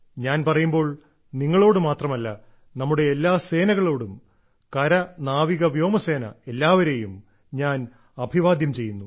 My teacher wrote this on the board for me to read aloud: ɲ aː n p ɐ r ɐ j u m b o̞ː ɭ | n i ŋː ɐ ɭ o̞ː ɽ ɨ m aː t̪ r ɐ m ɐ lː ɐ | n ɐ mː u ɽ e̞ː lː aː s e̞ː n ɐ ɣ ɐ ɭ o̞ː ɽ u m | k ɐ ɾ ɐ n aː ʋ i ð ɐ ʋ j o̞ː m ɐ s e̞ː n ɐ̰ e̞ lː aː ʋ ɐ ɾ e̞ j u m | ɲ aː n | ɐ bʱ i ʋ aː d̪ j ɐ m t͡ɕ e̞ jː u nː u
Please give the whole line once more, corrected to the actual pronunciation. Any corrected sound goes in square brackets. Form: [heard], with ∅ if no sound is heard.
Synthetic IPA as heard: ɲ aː n p ɐ r ɐ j u m b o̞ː ɭ | n i ŋː ɐ ɭ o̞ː ɽ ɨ m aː t̪ r ɐ m ɐ lː ɐ | n ɐ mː u ɽ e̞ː lː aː s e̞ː n ɐ ɣ ɐ ɭ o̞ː ɽ u m | k ɐ ɾ ɐ n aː ʋ i [ɣ] ɐ ʋ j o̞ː m ɐ s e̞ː n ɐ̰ e̞ lː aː ʋ ɐ ɾ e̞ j u m | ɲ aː n | ɐ bʱ i ʋ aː d̪ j ɐ m t͡ɕ e̞ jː u nː u

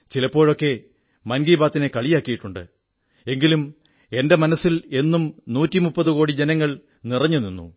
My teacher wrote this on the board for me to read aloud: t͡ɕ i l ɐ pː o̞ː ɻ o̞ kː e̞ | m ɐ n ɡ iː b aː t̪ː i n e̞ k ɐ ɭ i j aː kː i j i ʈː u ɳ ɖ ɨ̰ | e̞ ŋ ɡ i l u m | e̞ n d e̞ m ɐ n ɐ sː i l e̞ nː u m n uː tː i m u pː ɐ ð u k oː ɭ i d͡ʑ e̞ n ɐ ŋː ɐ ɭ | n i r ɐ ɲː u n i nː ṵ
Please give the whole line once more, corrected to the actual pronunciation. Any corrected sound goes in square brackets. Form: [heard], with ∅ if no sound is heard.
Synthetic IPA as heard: t͡ɕ i l ɐ pː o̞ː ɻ o̞ kː e̞ | m ɐ n ɡ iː b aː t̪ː i n e̞ k ɐ ɭ i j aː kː i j i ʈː u ɳ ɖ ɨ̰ | e̞ ŋ ɡ i l u m | e̞ n d e̞ m ɐ n ɐ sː i l e̞ nː u m n uː tː i m u pː ɐ ð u k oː [ɽ] i d͡ʑ e̞ n ɐ ŋː ɐ ɭ | n i r ɐ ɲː u n i nː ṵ

